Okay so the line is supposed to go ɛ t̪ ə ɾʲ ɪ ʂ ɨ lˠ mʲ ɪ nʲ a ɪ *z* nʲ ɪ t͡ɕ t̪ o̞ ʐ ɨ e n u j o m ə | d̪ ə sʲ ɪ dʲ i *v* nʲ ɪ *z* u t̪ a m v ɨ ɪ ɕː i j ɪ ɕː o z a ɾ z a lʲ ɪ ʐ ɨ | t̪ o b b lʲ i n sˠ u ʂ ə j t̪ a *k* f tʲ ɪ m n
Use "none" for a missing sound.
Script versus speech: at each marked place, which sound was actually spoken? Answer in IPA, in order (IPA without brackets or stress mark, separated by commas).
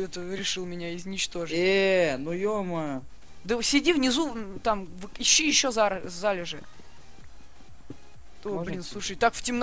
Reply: z, v, z, k